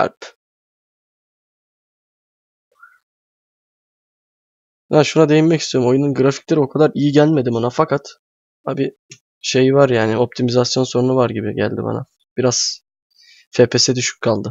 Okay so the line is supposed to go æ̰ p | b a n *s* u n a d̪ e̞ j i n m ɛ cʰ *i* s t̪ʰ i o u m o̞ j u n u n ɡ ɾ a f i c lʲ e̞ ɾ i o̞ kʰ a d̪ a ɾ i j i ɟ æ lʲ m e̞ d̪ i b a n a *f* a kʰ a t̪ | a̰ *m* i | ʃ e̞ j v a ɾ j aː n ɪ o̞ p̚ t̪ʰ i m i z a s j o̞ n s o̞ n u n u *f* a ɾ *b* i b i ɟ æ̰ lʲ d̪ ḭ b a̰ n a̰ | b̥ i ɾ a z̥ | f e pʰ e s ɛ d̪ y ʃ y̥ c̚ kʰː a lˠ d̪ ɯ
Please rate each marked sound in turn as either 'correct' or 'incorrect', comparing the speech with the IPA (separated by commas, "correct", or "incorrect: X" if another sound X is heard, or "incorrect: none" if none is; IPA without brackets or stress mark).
incorrect: ʃ, correct, correct, incorrect: b, incorrect: v, incorrect: ɟ